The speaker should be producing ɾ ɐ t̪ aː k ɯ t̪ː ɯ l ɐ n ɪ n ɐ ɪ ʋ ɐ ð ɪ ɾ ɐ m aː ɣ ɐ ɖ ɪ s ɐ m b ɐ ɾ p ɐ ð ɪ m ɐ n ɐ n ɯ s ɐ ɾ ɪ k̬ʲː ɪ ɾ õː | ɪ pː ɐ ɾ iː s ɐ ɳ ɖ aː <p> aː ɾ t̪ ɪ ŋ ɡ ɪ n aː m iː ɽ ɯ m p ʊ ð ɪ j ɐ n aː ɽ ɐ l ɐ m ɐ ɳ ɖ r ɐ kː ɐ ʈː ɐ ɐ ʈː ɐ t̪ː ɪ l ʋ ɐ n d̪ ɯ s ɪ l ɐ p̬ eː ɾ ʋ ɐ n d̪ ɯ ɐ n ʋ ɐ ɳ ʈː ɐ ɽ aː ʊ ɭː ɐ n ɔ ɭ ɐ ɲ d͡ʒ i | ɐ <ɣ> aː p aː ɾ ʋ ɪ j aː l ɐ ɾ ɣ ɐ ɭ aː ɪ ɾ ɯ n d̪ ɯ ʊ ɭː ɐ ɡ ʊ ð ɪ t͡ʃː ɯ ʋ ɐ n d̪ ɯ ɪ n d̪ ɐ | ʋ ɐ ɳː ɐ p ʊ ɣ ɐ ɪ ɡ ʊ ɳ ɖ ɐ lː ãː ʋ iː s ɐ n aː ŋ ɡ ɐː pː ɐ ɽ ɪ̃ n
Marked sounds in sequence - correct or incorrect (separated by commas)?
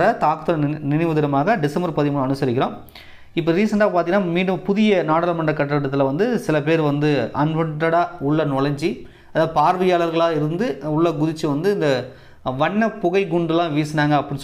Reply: correct, incorrect